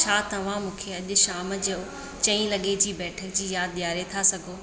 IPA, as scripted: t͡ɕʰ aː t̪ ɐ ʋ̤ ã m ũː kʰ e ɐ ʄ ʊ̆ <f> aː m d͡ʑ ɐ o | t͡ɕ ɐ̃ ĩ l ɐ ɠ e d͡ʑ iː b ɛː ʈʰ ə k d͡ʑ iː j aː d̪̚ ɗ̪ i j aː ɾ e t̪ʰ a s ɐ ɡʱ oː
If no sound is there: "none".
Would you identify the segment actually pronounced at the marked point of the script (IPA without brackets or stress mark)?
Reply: ʃ